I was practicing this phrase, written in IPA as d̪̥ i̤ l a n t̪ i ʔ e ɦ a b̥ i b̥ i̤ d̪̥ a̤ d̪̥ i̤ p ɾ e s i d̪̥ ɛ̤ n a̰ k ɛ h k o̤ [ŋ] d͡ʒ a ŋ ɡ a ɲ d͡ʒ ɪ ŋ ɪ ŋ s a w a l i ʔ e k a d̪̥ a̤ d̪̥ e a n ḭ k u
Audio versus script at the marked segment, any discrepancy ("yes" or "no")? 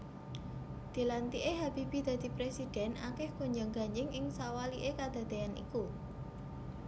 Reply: yes